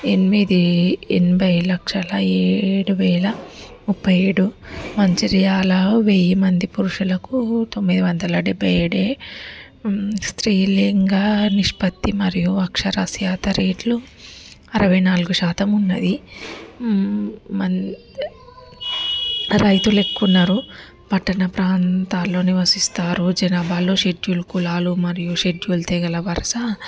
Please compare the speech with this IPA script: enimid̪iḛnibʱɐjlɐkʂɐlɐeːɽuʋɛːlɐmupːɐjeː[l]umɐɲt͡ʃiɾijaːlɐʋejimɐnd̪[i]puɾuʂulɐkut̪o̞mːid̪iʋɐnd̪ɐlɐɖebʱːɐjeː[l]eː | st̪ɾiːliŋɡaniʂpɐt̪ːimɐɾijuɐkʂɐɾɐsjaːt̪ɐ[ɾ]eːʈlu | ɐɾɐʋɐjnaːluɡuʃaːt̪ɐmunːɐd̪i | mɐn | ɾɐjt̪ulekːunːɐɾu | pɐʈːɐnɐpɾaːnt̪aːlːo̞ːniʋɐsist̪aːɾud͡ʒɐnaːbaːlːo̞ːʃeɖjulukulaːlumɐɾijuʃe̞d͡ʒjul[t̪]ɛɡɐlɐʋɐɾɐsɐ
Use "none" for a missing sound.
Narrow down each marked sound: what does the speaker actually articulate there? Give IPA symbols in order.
ɽ, i, ɽ, ɾ, t̪

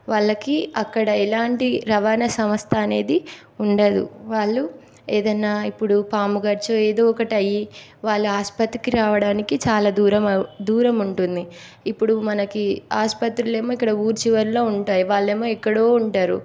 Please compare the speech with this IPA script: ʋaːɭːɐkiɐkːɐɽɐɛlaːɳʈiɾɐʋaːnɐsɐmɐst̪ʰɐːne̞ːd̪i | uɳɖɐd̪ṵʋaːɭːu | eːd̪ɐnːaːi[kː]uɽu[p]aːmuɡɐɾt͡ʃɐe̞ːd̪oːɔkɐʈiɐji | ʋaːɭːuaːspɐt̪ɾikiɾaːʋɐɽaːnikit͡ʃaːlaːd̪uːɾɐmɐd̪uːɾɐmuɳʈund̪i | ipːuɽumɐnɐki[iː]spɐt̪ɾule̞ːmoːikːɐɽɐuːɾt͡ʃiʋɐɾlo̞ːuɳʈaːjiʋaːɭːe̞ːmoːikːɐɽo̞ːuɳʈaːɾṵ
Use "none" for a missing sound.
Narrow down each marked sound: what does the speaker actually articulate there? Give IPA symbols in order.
pː, p, aː

